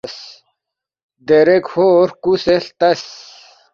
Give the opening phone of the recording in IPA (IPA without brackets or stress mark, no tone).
s